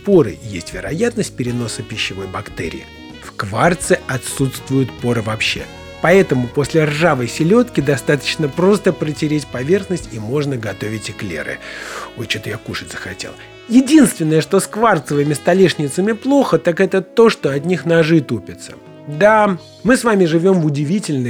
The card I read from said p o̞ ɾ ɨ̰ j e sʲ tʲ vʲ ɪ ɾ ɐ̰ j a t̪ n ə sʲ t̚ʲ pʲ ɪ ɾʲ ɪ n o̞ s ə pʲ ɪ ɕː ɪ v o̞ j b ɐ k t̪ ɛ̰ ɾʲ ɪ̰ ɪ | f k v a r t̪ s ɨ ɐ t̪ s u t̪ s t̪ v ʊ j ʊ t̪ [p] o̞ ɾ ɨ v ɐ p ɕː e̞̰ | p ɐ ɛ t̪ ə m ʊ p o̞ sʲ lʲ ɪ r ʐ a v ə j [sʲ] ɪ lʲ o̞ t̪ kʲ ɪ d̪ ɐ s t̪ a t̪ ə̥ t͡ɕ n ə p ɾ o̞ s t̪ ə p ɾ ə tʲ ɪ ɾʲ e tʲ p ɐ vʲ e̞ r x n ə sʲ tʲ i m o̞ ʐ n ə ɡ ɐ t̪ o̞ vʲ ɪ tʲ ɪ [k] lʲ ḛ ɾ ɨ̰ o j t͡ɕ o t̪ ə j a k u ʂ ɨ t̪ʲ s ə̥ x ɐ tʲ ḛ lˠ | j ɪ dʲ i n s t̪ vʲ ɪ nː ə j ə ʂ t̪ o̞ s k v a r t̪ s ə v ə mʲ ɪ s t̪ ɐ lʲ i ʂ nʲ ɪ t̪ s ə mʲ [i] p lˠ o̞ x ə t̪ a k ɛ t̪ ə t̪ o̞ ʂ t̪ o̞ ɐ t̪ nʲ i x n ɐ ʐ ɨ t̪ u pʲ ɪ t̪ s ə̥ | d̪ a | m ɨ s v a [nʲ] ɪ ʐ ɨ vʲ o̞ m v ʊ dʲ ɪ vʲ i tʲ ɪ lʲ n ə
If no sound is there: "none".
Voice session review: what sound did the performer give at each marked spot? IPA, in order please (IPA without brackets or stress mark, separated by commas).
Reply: p, sʲ, k, ɪ, mʲ